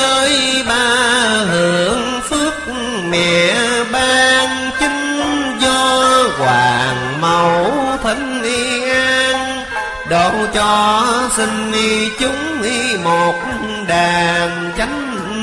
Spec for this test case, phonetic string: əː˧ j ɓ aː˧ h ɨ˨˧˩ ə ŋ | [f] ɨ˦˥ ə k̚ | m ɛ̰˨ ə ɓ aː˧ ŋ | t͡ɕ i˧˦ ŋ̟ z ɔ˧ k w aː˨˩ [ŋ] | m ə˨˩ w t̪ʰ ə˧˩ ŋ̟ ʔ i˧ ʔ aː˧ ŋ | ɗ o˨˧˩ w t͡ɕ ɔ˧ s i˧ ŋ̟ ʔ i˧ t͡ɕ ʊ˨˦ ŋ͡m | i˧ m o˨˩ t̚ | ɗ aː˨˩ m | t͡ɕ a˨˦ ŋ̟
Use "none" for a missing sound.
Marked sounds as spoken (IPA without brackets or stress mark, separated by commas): f, ŋ